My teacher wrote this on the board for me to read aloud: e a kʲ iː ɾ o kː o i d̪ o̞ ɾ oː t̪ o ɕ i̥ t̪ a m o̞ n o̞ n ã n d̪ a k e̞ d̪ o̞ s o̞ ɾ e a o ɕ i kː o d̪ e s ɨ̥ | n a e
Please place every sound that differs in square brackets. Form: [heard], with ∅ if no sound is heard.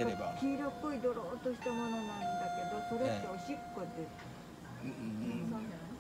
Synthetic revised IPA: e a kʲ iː ɾ o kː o i d̪ o̞ ɾ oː t̪ o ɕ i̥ t̪ a m o̞ n o̞ n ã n d̪ a k e̞ d̪ o̞ s o̞ ɾ e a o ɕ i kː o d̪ e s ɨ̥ | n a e